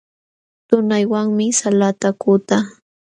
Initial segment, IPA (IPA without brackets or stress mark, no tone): t̪